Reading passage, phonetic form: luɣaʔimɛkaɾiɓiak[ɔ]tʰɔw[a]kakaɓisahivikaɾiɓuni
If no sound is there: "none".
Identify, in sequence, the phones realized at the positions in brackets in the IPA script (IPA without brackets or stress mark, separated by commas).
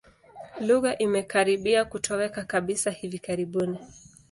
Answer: u, ɛ